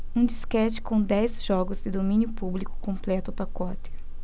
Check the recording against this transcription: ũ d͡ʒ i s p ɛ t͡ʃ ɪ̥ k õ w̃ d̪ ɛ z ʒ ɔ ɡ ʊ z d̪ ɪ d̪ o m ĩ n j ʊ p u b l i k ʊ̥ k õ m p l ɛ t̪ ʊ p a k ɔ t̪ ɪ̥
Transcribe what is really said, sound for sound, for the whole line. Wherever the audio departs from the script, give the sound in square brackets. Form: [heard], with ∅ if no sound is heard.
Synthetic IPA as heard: ũ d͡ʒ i s [k] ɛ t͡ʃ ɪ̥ k õ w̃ d̪ ɛ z ʒ ɔ ɡ ʊ z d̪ ɪ d̪ o m ĩ n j ʊ p u b l i k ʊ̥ k õ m p l ɛ t̪ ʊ p a k ɔ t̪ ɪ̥